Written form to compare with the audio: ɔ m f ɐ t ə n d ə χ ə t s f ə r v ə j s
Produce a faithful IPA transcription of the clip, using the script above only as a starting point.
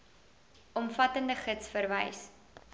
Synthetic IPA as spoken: ɔ m f ɐ t ə n d ə χ ə t s f ə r v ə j s